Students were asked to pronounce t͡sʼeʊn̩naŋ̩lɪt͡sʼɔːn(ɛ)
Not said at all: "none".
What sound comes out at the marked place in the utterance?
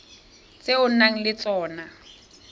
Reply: a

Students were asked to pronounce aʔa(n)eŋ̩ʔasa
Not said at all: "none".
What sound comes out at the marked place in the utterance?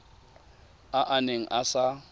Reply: n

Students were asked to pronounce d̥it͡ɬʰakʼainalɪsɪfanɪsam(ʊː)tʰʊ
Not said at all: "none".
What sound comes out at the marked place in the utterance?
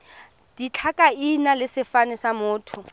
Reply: ʊː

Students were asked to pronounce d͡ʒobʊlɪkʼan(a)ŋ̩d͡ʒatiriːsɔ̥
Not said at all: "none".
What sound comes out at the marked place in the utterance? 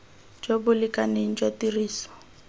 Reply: e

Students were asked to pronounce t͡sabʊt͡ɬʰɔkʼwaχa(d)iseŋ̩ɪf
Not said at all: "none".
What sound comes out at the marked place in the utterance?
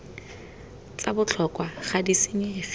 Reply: d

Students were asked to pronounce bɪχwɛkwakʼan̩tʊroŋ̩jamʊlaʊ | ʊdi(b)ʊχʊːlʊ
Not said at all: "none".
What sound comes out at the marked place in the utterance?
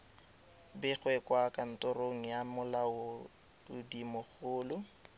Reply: m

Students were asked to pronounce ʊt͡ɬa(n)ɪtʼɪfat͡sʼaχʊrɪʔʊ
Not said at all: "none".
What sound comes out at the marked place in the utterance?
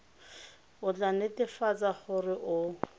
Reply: n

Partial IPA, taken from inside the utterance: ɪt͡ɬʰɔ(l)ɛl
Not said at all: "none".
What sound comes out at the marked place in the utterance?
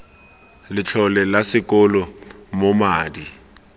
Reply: l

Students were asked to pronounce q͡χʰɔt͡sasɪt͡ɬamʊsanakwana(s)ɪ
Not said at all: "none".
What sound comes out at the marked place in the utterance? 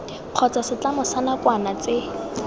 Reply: t͡s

